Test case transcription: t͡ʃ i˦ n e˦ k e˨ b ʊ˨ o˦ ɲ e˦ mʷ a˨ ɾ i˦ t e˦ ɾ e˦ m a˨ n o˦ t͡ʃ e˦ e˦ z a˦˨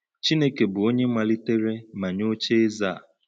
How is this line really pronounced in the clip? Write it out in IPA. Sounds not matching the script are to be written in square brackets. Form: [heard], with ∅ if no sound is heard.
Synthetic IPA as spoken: t͡ʃ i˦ n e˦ k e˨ b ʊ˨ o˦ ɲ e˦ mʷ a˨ [l] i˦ t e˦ ɾ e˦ m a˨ [ɲ] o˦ t͡ʃ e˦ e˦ z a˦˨